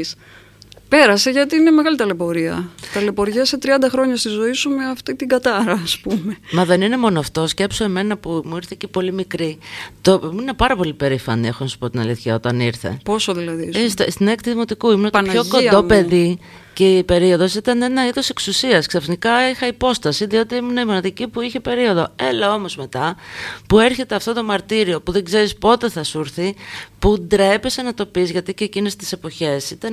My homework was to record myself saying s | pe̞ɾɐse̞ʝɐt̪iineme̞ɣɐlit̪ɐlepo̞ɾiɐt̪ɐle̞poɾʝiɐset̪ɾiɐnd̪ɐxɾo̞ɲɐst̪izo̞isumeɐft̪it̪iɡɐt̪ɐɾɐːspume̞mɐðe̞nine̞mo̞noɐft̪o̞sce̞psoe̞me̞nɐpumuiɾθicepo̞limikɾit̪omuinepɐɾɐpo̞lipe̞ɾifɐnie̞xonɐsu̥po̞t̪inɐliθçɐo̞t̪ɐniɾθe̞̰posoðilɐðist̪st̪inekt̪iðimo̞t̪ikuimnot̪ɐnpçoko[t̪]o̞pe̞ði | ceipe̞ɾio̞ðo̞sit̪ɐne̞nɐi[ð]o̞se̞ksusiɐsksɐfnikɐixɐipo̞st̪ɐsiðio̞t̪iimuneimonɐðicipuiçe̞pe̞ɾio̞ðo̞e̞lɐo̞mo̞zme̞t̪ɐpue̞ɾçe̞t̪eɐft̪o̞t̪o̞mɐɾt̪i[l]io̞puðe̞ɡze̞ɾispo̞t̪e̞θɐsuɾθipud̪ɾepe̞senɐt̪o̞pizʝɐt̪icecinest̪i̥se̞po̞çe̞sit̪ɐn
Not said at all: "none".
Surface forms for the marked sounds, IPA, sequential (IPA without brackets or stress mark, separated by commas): d̪, ð, ɾ